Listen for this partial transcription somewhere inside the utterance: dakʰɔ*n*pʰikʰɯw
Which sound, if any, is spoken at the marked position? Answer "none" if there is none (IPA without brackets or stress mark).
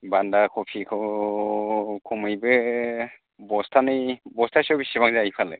none